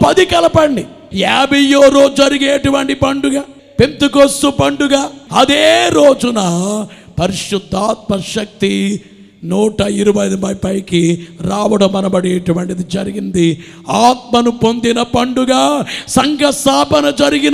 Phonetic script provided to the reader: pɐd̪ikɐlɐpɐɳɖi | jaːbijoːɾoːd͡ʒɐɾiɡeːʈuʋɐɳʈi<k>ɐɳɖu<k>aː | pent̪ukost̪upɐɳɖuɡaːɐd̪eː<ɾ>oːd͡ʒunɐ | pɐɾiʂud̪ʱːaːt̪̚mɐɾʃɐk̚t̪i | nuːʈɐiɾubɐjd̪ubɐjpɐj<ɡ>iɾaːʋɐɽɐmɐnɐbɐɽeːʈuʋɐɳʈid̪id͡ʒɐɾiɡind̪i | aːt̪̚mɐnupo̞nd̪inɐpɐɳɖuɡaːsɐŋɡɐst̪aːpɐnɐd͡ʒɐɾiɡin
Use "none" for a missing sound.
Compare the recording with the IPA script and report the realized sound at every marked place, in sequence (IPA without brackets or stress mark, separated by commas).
p, ɡ, ɾ, k